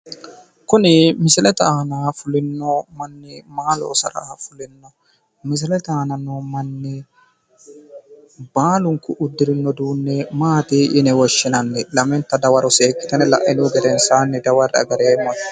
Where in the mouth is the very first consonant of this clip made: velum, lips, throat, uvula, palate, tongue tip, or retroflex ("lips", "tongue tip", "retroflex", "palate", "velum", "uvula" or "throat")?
velum